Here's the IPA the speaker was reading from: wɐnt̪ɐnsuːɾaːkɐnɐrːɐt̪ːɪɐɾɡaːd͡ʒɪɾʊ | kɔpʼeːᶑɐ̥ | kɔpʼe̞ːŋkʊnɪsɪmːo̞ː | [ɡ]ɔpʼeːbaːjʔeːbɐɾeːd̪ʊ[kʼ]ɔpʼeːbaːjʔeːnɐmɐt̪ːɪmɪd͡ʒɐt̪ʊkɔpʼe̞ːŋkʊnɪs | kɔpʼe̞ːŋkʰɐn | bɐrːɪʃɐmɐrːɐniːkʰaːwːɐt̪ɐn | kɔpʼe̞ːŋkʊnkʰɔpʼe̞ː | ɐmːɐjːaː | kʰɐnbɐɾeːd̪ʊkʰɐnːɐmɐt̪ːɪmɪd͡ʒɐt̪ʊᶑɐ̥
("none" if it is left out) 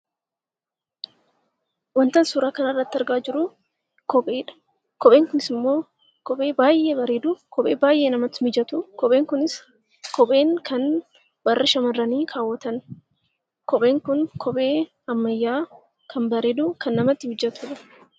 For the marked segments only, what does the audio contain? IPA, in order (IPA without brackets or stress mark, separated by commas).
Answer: k, k